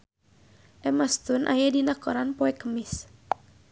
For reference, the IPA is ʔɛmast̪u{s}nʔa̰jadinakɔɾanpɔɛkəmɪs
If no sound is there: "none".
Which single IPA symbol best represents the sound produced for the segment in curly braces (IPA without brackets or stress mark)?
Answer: none